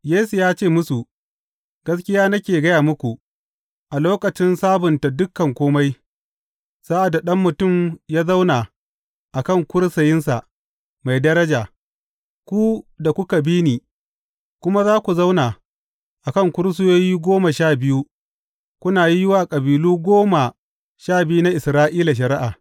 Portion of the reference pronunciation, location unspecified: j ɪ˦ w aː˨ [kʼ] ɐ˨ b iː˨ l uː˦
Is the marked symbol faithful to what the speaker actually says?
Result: yes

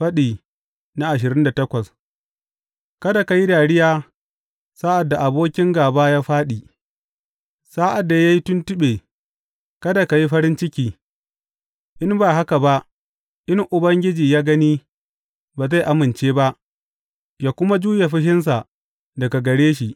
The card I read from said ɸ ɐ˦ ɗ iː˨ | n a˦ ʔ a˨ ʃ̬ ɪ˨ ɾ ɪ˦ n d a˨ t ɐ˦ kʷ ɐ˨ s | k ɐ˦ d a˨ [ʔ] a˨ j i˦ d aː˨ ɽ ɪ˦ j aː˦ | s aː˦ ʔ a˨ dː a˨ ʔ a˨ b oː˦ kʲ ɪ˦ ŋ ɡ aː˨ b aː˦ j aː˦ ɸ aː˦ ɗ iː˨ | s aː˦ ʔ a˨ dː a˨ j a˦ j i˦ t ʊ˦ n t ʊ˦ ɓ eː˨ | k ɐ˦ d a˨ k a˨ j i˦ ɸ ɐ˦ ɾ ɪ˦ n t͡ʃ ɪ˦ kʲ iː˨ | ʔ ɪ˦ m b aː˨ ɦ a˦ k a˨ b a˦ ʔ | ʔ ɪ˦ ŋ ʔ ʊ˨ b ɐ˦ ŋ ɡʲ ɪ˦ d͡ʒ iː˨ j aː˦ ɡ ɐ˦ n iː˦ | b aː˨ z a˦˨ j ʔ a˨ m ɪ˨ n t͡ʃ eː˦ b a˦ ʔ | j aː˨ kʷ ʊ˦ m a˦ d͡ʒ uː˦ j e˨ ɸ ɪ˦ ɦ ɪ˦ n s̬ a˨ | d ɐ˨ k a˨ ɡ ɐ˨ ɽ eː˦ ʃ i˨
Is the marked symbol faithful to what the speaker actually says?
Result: no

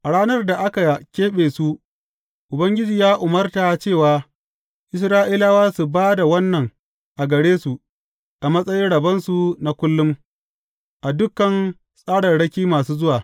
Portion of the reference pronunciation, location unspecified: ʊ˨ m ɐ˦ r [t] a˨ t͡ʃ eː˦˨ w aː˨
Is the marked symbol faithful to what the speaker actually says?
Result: yes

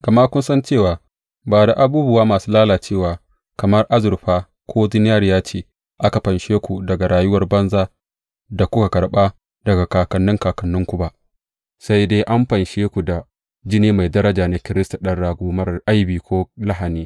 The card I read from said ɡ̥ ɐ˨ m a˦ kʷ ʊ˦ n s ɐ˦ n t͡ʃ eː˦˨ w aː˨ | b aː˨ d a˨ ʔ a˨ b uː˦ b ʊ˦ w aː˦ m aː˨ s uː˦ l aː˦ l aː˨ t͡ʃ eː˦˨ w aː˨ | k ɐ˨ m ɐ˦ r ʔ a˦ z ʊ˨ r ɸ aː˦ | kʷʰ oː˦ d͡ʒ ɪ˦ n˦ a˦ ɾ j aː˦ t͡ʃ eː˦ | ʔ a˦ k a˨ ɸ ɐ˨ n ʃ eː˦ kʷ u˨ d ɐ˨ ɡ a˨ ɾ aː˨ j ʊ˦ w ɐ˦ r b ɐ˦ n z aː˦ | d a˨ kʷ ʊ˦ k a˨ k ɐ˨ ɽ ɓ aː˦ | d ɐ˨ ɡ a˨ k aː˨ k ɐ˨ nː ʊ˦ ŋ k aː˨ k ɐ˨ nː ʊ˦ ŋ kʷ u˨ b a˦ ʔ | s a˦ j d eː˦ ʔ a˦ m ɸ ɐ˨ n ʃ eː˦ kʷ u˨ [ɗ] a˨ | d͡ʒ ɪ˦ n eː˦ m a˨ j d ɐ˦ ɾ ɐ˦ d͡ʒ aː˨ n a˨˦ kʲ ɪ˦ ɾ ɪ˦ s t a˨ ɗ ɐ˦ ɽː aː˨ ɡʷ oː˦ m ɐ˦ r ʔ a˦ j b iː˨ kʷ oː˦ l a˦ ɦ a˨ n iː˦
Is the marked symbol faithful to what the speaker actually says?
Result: no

